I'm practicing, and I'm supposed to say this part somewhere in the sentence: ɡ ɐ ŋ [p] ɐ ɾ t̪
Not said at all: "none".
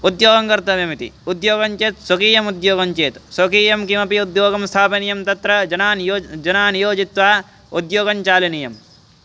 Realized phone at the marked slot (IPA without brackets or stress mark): k